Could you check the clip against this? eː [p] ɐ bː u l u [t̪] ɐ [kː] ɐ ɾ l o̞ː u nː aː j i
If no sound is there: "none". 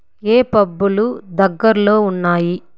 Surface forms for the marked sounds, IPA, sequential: p, d̪, ɡː

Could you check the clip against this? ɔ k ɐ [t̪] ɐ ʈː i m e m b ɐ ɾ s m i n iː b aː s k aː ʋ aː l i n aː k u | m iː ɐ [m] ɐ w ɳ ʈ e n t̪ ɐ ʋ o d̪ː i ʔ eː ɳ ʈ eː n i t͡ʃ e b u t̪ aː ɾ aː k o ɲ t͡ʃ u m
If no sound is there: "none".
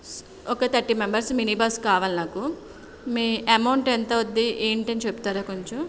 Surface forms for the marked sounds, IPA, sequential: t̪, m

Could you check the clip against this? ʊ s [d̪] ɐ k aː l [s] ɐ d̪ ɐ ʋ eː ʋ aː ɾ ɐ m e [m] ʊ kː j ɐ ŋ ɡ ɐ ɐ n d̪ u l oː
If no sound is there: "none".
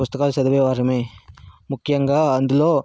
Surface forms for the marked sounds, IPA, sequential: t̪, s, m

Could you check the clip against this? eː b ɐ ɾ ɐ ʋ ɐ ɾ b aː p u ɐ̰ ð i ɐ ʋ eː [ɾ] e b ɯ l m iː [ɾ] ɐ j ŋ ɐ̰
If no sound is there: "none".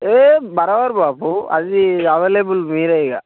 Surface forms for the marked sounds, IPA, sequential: l, ɾ

